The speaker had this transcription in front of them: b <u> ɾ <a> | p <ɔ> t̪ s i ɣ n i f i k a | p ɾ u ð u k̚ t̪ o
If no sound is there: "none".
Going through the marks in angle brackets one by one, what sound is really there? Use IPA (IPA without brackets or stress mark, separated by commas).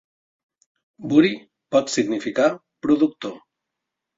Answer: u, i, ɔ